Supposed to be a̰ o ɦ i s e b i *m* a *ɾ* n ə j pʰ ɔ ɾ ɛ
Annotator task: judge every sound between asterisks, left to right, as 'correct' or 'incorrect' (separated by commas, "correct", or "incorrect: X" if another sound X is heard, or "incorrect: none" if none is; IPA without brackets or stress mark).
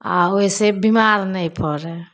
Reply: correct, correct